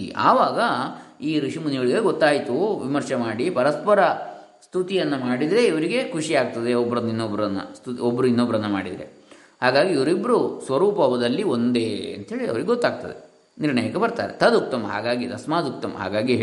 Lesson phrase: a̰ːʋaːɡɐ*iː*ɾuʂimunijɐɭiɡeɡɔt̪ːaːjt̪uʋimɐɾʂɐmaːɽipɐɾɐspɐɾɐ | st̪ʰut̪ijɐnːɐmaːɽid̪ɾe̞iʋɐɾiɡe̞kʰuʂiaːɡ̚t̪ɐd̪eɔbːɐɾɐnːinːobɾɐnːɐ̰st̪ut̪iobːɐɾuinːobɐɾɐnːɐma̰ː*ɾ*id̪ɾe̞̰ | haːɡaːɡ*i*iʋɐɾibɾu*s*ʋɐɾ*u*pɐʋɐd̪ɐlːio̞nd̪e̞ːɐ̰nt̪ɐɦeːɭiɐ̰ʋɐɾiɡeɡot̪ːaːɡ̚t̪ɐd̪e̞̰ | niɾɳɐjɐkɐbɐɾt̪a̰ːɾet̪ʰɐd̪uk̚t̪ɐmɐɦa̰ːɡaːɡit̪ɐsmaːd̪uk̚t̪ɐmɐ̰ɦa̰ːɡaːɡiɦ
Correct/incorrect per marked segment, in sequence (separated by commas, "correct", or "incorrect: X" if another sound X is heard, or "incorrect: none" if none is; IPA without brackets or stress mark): correct, incorrect: ɽ, correct, correct, incorrect: uː